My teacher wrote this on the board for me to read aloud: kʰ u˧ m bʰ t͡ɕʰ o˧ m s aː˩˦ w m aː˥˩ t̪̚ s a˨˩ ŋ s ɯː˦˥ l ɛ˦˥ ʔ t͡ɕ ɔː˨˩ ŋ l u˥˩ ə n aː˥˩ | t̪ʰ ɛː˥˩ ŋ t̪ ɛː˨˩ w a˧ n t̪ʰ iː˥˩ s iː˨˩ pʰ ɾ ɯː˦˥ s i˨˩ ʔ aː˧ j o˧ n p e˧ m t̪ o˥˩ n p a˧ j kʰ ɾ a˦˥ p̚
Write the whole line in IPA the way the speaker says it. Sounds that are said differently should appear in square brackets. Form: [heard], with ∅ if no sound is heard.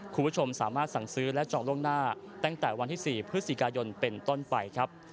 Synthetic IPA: kʰ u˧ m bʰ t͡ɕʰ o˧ m s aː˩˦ [∅] m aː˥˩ t̪̚ s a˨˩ ŋ s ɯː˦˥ l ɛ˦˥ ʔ t͡ɕ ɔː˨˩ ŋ l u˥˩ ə n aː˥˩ | [t̪] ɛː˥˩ ŋ t̪ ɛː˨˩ w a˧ n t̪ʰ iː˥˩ s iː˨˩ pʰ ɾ [ɯ˦˥] s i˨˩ [k] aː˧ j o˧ n p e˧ [n] t̪ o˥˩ n p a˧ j kʰ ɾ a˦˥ p̚